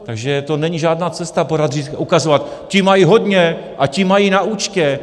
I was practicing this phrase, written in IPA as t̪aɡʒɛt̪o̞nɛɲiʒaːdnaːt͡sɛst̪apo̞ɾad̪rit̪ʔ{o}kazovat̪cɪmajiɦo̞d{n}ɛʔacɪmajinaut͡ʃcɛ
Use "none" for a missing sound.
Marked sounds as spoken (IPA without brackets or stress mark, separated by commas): u, ɲ